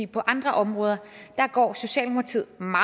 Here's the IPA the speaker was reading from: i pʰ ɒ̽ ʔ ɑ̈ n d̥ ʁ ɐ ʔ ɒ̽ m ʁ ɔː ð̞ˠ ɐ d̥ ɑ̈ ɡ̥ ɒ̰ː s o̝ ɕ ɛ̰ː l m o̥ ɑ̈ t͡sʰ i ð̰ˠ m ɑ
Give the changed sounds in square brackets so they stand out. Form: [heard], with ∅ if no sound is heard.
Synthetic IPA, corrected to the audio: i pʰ ɒ̽ ʔ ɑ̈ n d̥ ʁ ɐ ʔ ɒ̽ m ʁ ɔː ð̞ˠ ɐ d̥ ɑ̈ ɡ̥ ɒ̰ː s o̝ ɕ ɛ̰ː l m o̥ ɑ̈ t͡sʰ i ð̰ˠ m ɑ